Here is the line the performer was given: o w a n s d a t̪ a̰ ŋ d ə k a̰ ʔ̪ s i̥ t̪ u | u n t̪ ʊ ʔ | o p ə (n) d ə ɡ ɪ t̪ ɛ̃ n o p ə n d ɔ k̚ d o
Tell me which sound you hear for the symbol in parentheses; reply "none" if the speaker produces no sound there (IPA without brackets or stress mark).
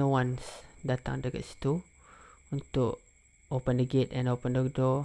n